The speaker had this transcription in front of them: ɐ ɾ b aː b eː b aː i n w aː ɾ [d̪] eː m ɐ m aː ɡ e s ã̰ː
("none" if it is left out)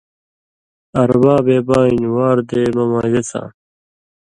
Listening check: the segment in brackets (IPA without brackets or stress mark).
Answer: d̪